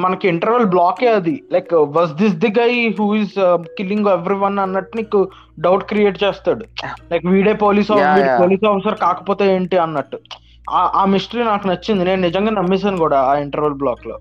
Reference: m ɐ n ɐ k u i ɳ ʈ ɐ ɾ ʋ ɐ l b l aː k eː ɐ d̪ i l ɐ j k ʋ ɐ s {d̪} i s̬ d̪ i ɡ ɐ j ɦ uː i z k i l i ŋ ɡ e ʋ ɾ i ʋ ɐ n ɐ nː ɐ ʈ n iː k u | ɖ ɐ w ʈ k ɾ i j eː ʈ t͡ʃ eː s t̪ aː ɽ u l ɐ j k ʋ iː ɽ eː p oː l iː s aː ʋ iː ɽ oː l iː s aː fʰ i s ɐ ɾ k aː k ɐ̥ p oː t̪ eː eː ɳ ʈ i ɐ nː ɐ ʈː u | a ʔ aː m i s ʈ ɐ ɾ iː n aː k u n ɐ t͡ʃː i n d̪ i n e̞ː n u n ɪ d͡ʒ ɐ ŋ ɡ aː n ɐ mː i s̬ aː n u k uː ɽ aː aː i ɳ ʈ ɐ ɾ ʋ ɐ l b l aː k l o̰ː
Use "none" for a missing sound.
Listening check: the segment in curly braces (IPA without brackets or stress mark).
d̪